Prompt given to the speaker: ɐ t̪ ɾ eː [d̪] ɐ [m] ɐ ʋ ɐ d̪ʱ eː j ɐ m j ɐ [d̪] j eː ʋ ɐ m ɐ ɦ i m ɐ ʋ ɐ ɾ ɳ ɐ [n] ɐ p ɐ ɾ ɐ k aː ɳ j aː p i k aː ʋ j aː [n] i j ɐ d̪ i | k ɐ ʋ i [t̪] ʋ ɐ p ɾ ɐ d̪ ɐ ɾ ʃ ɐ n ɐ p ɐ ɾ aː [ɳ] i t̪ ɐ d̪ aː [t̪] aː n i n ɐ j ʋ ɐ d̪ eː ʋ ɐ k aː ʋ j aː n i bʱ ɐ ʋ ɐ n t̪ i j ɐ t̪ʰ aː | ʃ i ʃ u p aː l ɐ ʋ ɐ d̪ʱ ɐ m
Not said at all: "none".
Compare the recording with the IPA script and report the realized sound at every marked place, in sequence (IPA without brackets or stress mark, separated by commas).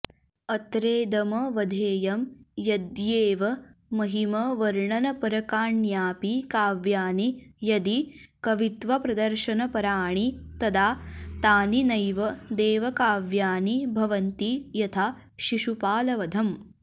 d̪, m, d̪, n, n, t̪, ɳ, t̪